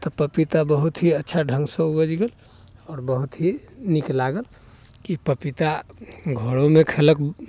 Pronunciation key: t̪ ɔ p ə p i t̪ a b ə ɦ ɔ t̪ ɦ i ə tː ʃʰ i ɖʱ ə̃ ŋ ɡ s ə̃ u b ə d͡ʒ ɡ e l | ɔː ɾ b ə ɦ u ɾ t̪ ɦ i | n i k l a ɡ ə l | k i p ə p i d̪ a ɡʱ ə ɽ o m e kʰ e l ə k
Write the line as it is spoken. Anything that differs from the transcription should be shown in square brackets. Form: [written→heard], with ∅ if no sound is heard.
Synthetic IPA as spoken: t̪ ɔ p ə p i t̪ a b ə ɦ [ɔ→u] t̪ ɦ i ə tː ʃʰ [i→a] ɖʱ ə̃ ŋ ɡ s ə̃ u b ə d͡ʒ ɡ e l | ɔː ɾ b ə ɦ u [ɾ→∅] t̪ ɦ i | n i k l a ɡ ə l | k i p ə p i [d̪→t̪] a ɡʱ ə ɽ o m e kʰ e l ə k